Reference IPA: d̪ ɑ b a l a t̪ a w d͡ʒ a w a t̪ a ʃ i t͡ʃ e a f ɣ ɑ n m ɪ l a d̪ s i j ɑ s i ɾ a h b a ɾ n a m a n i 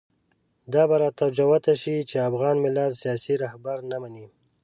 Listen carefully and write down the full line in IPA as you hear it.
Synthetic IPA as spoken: d̪ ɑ b a ɾ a t̪ a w d͡ʒ a w a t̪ a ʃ i t͡ʃ e a f ɣ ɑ n m ɪ l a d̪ s i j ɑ s i ɾ a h b a ɾ n a m a n i